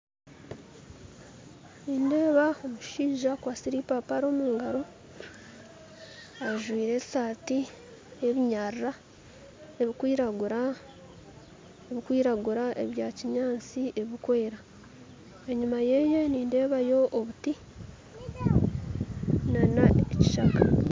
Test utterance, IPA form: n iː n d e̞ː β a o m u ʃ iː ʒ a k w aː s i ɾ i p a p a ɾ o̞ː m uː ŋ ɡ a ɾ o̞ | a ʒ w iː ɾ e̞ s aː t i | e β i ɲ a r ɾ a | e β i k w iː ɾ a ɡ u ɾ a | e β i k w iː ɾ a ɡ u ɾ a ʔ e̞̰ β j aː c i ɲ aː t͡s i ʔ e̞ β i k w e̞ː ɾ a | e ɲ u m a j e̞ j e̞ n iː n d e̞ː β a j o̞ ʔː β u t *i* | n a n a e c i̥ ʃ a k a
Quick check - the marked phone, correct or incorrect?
correct